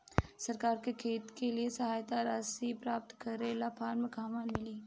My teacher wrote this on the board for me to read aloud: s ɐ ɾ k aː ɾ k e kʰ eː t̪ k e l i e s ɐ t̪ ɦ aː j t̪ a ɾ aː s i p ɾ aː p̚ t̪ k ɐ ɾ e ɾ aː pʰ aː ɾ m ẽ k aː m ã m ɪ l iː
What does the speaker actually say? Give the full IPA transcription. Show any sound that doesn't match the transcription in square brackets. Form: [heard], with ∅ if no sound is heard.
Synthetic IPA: s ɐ ɾ k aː ɾ k e kʰ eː t̪ k e l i e s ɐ [∅] ɦ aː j t̪ a ɾ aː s i p ɾ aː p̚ t̪ k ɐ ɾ e [l] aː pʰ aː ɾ m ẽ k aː m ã m ɪ l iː